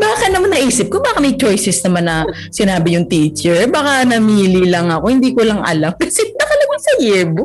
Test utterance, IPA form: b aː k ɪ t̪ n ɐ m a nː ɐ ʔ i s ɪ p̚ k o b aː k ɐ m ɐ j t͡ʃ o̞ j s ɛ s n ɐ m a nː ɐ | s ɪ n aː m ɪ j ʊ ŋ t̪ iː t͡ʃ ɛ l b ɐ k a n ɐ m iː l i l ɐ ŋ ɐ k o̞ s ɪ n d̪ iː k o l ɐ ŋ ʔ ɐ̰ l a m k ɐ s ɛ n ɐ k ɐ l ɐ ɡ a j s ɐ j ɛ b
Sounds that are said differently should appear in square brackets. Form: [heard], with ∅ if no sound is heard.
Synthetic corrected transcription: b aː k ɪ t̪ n ɐ m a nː ɐ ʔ [iː] s ɪ p̚ k o b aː k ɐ m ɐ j t͡ʃ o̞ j s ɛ s n ɐ m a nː ɐ | s ɪ n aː [b] ɪ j ʊ ŋ t̪ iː t͡ʃ ɛ [ɹ] b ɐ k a n ɐ m iː l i l ɐ ŋ ɐ k o̞ [h] ɪ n d̪ iː k o l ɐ ŋ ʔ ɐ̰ l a m k ɐ s ɛ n ɐ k ɐ l ɐ ɡ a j s ɐ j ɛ b